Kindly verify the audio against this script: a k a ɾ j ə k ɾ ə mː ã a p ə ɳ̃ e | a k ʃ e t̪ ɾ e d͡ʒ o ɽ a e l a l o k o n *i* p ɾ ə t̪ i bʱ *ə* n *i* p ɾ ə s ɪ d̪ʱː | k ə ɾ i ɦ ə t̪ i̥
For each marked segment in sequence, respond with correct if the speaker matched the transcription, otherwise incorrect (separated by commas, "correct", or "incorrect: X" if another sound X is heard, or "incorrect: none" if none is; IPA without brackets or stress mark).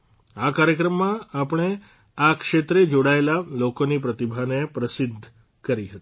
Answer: correct, incorrect: a, incorrect: e